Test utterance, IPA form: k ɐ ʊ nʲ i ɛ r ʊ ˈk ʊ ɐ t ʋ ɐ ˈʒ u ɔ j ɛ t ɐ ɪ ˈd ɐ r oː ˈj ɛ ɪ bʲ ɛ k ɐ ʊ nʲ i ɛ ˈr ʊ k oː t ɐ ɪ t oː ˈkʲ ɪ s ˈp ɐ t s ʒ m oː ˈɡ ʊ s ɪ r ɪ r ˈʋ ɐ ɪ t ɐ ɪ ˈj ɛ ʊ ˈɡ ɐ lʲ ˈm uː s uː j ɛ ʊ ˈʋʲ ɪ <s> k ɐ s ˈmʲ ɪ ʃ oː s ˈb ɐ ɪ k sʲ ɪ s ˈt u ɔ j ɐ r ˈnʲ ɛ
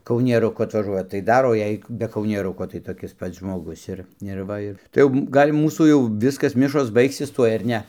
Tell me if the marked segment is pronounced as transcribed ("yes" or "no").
yes